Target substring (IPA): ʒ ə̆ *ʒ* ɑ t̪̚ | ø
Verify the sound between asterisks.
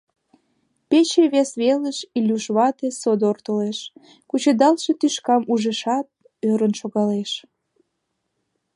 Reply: incorrect: ʃ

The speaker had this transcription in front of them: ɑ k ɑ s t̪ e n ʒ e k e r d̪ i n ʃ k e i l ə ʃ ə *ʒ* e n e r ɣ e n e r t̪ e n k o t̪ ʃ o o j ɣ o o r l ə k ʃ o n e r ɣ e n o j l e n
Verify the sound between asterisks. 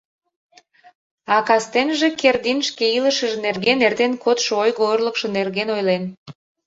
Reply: correct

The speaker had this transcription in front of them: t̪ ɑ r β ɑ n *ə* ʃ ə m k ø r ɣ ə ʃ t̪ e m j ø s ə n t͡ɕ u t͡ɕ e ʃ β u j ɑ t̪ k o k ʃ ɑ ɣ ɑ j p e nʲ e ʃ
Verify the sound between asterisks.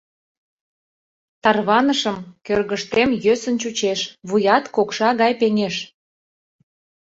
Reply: correct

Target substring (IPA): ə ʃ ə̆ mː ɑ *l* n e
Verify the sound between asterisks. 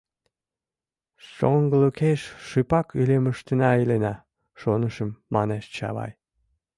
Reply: incorrect: none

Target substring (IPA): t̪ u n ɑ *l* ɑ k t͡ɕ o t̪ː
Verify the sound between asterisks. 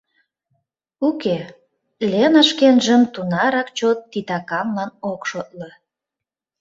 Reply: incorrect: ɾ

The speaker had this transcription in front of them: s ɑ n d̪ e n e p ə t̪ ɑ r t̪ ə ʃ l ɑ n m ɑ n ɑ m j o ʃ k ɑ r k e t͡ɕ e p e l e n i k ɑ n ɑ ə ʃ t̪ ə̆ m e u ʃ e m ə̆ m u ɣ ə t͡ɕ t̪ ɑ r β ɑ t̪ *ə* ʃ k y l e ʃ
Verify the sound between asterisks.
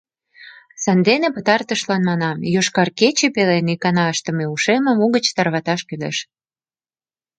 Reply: incorrect: ɑ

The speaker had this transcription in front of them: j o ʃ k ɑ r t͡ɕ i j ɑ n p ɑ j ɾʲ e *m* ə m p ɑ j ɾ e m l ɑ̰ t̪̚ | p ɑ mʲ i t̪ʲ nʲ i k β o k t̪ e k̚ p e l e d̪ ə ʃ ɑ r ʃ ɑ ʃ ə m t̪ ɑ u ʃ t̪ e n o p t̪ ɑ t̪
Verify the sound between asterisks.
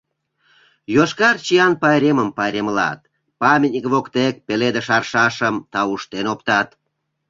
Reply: correct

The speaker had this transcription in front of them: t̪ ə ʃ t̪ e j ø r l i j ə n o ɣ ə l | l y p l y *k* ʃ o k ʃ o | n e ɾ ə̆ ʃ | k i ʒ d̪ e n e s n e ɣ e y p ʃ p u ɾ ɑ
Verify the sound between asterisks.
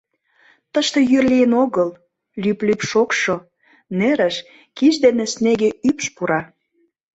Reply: incorrect: p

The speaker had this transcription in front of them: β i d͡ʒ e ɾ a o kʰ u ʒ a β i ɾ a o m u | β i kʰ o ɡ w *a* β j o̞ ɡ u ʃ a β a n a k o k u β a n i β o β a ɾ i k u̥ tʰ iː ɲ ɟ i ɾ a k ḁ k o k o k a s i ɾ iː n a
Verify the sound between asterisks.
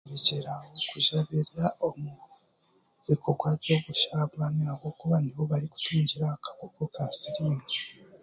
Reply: correct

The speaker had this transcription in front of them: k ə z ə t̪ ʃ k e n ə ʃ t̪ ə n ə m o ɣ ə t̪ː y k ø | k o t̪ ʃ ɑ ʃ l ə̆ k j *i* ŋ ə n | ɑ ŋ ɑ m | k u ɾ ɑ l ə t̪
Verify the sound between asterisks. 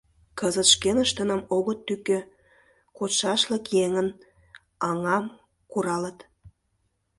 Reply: incorrect: e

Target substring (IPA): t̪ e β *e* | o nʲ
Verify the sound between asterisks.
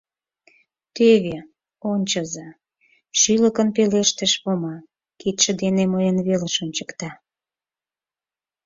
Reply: correct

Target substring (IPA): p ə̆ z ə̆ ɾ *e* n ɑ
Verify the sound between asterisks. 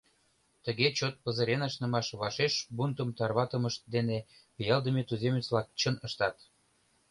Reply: correct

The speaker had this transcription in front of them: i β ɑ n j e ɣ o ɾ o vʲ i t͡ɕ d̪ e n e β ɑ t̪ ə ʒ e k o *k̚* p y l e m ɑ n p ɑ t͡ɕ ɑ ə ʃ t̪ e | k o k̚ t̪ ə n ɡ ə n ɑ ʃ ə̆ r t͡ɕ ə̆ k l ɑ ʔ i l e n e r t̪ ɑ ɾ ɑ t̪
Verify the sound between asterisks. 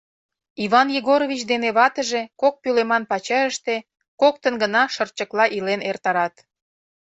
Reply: correct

